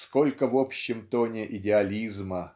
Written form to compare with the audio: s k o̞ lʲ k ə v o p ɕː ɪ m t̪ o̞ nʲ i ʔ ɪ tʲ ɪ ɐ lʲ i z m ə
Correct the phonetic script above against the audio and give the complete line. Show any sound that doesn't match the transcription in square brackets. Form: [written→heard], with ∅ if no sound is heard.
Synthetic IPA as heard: s k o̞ lʲ k ə v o p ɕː ɪ m t̪ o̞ nʲ [i→ɪ] ʔ ɪ [tʲ→dʲ] ɪ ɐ lʲ i z m ə